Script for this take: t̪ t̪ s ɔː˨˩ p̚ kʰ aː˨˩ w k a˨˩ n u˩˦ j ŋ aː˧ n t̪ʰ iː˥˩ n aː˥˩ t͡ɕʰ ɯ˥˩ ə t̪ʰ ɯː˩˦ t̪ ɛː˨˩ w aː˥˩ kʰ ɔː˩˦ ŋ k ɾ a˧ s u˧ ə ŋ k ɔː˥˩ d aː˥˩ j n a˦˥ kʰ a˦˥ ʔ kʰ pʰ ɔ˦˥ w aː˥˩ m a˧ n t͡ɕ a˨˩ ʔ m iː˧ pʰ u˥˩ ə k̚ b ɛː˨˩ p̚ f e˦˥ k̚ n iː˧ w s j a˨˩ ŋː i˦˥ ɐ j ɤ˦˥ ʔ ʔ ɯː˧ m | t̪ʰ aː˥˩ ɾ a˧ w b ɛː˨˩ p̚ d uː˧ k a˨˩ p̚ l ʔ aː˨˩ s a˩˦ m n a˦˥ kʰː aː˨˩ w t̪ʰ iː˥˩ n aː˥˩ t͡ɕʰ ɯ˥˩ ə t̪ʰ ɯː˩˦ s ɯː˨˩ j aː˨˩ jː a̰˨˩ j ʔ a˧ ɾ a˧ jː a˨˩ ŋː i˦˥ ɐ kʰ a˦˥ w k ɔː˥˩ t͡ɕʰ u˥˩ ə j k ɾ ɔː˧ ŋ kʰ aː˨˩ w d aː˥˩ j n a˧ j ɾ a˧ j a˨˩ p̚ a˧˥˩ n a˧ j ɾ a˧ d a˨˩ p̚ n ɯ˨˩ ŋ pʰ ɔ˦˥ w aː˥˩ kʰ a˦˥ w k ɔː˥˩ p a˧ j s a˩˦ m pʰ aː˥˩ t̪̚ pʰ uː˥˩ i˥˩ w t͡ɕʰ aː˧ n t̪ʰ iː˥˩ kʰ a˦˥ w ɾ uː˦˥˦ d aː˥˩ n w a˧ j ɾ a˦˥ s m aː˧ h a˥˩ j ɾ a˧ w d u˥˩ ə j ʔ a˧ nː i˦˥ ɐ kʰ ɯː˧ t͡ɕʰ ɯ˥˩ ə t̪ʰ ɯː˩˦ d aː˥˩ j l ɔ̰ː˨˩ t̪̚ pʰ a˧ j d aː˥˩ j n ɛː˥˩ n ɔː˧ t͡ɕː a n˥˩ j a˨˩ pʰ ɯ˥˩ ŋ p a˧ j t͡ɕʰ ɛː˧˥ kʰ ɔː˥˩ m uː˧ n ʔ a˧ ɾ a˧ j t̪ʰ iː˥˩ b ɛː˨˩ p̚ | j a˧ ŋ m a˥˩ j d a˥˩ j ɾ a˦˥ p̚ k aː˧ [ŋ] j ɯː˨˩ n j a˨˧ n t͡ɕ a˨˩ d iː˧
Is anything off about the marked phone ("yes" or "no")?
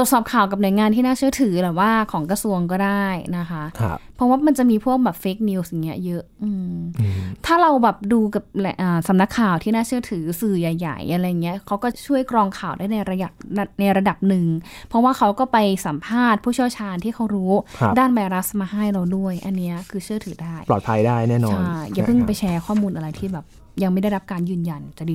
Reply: yes